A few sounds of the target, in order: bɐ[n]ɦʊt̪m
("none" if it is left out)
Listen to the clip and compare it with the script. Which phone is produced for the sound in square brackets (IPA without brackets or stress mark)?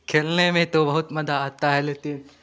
none